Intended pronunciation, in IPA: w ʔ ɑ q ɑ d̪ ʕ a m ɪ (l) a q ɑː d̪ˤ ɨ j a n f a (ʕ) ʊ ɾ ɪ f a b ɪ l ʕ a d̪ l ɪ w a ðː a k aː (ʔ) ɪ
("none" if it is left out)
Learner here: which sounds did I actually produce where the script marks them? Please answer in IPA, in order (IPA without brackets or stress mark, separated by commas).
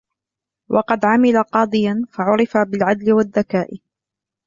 l, ʕ, ʔ